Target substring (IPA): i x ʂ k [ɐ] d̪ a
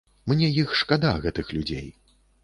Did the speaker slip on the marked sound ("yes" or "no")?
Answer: yes